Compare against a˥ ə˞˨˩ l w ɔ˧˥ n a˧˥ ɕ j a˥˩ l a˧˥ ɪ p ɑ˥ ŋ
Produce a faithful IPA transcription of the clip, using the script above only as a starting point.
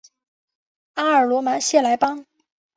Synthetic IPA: a˥ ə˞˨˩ l w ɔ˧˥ m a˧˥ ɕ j ɛ˥˩ l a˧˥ ɪ p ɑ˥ ŋ